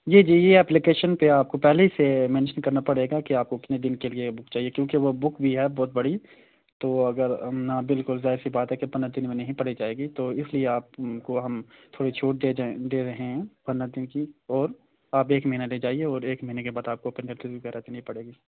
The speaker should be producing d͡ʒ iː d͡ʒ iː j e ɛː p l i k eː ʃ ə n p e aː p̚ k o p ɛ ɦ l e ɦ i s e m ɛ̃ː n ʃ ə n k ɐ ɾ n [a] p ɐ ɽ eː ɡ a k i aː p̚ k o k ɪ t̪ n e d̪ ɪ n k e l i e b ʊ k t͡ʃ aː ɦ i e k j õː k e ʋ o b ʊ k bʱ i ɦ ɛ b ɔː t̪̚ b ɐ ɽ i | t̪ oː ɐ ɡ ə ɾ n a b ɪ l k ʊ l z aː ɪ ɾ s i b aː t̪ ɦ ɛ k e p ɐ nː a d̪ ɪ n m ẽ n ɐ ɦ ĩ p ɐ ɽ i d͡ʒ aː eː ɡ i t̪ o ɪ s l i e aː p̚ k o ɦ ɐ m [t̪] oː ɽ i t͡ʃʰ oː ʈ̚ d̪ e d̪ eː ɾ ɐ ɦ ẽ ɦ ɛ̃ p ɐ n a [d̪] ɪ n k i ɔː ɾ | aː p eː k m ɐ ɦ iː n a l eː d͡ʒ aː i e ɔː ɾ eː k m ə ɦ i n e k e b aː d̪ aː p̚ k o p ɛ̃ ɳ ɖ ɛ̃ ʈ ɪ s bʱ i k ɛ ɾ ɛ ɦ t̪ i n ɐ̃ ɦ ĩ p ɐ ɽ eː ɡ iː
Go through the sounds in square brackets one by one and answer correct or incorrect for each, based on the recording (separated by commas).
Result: correct, incorrect, correct